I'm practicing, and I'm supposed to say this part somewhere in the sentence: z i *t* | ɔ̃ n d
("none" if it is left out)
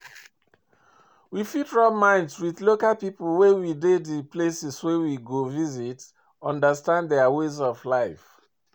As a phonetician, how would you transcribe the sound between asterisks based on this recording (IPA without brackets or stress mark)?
t